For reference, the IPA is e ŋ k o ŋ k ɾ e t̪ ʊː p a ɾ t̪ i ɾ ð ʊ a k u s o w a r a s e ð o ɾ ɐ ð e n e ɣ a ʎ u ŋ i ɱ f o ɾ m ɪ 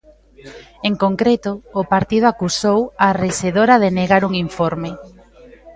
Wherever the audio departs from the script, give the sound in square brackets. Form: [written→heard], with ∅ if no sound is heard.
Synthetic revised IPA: e ŋ k o ŋ k ɾ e t̪ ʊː p a ɾ t̪ i [ɾ→∅] ð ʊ a k u s o w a r [a→e] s e ð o ɾ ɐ ð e n e ɣ a [ʎ→ɾ] u ŋ i ɱ f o ɾ m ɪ